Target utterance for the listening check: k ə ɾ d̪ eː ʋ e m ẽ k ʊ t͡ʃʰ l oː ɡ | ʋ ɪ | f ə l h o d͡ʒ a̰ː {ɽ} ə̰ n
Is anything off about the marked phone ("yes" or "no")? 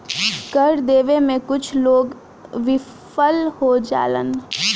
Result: yes